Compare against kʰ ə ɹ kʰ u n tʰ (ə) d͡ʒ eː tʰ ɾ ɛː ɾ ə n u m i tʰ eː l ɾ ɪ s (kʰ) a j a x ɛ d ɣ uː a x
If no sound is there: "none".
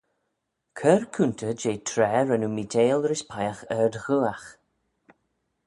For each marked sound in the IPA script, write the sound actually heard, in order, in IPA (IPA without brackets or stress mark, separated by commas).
ə, pʰ